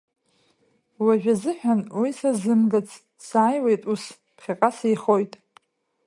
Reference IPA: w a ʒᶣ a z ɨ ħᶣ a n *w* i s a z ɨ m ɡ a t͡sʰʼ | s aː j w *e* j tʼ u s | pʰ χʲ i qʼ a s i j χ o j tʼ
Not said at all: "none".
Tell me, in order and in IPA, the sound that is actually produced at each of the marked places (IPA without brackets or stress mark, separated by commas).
w, e